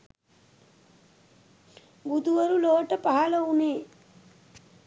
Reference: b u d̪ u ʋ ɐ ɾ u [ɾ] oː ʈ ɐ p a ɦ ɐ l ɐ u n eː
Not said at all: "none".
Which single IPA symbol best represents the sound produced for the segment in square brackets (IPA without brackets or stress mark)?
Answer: l